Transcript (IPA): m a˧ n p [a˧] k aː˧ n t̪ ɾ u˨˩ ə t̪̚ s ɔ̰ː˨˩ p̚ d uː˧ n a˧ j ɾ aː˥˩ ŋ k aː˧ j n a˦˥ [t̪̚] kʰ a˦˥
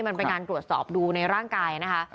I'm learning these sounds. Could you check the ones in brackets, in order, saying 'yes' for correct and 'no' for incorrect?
no, no

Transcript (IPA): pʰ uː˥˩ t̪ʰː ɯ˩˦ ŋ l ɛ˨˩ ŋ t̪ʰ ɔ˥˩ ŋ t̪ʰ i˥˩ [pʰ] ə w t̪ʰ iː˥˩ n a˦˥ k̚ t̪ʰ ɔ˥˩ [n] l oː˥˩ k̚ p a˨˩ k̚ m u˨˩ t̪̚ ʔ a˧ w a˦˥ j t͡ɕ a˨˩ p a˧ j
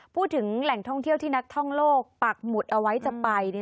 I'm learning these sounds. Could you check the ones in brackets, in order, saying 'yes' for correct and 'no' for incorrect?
no, no

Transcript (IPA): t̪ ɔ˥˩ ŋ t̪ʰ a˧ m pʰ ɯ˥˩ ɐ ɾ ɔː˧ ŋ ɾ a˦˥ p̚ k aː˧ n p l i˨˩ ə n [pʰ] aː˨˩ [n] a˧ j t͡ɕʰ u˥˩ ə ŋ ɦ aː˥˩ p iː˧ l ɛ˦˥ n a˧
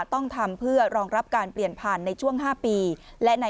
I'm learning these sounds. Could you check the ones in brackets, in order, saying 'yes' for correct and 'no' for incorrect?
yes, no

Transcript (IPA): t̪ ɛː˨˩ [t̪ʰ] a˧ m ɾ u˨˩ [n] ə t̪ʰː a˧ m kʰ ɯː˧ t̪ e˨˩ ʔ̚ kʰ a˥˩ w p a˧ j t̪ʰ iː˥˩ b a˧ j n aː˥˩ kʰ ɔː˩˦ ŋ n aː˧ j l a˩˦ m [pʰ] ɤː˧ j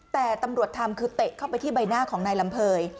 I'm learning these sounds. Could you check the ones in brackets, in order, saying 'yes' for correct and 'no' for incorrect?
no, no, yes

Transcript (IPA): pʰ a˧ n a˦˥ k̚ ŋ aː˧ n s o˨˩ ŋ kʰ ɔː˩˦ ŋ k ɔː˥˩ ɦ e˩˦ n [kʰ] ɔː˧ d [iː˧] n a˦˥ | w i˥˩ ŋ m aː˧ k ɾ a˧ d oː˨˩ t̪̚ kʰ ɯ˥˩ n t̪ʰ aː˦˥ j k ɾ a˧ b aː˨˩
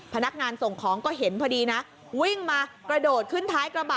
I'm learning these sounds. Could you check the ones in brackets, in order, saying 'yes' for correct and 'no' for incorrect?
no, yes

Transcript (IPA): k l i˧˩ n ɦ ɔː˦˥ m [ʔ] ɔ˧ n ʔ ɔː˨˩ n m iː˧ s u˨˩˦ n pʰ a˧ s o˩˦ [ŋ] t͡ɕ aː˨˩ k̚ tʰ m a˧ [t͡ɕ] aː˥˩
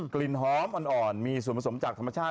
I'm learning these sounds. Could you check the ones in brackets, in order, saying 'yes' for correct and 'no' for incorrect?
yes, no, no

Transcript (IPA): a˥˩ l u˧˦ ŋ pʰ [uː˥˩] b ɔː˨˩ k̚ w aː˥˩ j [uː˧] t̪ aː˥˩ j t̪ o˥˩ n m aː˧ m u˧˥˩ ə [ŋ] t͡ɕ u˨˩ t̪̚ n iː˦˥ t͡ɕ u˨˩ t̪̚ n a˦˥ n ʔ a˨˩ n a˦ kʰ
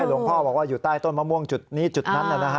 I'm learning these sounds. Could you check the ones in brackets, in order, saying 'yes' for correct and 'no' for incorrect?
no, no, yes

